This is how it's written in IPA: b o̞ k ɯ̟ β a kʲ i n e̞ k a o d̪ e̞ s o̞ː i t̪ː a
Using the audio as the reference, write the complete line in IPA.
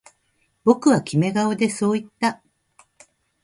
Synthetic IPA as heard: b o̞ k ɯ̟ β a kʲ i m e̞ ɡ a o d̪ e̞ s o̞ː i t̪ː a